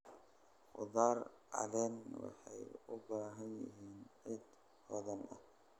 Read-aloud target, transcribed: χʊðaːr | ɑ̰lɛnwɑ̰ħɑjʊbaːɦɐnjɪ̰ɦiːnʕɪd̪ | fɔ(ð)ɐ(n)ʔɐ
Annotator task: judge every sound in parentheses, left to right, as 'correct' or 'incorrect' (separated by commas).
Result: correct, correct